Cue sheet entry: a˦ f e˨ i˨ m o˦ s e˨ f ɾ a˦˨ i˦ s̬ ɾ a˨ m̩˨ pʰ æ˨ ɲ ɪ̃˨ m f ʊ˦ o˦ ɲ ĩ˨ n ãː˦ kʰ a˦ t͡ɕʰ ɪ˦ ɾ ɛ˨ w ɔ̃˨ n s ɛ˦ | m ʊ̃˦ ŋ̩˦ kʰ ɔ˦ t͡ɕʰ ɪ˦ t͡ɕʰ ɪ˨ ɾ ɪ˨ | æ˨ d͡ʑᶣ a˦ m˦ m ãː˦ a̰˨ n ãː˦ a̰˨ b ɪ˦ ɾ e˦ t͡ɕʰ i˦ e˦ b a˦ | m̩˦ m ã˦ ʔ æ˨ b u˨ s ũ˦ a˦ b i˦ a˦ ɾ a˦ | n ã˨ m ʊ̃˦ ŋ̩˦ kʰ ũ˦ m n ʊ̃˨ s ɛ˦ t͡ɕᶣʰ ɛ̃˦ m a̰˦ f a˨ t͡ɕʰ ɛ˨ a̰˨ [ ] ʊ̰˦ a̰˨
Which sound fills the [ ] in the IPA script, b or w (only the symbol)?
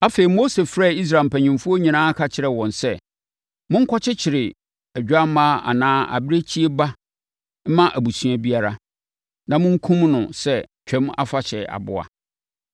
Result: b